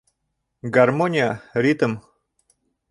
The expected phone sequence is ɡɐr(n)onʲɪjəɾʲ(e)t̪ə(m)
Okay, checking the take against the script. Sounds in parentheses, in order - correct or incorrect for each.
incorrect: m, incorrect: i, correct

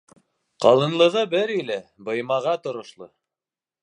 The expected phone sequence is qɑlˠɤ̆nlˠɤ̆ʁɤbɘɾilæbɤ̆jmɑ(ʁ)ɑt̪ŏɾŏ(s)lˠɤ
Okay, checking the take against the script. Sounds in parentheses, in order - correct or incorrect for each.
correct, incorrect: ʃ

